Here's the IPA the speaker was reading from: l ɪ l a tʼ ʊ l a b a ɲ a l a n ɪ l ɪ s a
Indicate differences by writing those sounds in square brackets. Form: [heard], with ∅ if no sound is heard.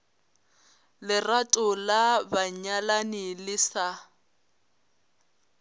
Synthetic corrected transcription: l ɪ [r] a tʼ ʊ l a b a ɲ a l a n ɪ l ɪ s a